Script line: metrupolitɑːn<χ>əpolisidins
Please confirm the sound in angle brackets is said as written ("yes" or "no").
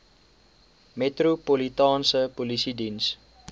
no